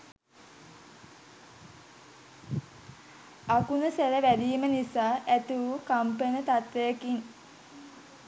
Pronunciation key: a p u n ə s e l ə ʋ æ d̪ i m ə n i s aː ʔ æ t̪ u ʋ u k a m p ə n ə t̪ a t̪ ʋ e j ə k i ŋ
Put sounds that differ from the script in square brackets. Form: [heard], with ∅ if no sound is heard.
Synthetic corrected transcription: a [k] u n ə s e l ə ʋ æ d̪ [iː] m ə n i s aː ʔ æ t̪ u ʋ u k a m p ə n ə t̪ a t̪ ʋ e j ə k i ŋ